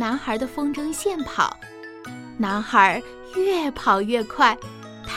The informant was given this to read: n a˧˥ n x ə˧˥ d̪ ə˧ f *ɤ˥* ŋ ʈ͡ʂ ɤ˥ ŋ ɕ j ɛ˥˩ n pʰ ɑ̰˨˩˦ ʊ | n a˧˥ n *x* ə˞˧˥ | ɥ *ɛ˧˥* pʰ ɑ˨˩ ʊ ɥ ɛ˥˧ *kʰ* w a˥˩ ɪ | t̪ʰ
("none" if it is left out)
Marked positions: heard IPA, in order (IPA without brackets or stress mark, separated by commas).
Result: ɤ˥, x, ɛ˥˩, kʰ